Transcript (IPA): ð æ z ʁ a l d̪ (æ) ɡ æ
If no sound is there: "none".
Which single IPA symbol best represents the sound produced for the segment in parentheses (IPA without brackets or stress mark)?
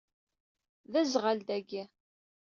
æ